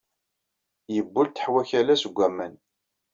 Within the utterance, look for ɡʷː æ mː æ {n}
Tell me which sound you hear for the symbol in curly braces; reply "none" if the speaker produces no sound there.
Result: n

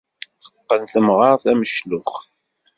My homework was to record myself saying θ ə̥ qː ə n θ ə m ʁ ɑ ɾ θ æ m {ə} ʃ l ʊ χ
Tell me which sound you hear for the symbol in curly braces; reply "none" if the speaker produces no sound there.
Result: ə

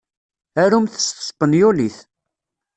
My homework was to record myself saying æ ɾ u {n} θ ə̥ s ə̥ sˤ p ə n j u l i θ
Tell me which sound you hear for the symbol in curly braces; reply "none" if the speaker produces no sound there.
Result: m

